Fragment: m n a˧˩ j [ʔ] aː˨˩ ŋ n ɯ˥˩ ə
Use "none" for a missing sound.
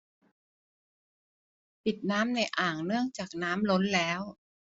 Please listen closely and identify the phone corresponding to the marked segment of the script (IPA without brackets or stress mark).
ʔ